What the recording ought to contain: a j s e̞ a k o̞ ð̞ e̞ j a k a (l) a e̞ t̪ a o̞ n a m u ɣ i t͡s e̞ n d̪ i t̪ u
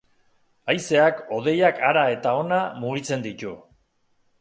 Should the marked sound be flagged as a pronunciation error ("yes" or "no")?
yes